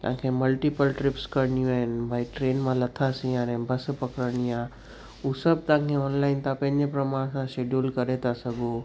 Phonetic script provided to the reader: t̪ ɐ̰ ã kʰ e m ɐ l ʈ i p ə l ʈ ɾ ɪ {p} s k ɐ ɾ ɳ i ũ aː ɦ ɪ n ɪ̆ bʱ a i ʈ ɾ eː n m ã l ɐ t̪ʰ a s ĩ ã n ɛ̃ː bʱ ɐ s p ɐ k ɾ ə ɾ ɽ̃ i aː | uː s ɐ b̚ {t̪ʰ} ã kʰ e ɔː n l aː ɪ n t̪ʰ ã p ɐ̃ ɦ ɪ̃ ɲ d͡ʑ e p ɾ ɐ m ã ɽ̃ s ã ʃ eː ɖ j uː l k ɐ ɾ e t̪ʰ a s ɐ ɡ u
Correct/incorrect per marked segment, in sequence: correct, incorrect: t̪

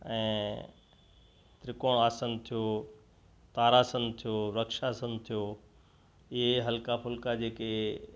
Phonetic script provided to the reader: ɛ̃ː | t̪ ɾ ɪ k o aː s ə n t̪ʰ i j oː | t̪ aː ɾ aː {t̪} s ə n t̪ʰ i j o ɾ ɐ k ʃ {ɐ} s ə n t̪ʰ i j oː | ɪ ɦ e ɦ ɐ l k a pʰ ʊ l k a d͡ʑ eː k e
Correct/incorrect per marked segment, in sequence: incorrect: none, incorrect: a

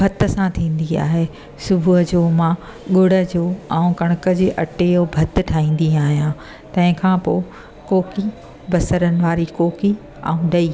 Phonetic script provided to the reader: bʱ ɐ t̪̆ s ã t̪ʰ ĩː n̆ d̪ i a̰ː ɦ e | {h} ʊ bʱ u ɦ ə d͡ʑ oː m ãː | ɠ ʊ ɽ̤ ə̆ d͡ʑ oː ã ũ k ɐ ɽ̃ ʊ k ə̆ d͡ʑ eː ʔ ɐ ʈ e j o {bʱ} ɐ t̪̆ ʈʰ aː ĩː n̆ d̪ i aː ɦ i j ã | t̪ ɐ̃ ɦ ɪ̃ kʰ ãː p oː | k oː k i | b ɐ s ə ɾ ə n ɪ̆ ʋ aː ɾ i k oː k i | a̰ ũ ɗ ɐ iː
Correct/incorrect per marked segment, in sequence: incorrect: s, correct

